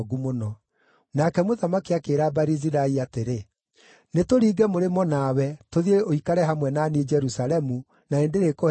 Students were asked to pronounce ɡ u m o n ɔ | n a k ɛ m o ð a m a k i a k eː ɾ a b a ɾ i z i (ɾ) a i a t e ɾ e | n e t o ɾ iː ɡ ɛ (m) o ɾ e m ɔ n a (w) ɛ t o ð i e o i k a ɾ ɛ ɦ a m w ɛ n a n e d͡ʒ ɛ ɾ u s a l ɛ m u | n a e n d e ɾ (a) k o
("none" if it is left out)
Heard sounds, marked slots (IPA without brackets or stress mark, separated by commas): ɾ, m, w, e